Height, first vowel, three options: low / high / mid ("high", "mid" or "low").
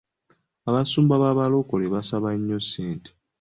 low